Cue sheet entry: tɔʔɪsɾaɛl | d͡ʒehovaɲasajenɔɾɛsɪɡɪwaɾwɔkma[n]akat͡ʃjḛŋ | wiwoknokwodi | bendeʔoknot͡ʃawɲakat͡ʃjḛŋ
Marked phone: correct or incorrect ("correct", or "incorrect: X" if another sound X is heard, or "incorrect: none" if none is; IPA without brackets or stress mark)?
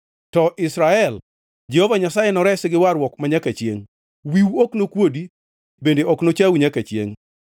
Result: incorrect: ɲ